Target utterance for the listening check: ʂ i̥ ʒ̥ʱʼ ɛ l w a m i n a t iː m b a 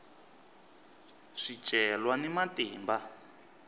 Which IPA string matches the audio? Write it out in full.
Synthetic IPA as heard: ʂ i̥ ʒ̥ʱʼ ɛ l w a n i m a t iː m b a